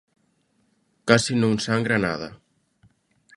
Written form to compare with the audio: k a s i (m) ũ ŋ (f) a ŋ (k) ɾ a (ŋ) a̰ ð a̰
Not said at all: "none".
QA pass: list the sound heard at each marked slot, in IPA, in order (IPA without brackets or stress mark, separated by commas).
n, s, ɡ, n